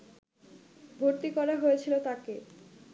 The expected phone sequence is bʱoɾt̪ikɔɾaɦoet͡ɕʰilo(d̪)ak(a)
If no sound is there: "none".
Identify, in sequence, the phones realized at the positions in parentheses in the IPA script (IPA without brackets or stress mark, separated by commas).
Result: t̪, e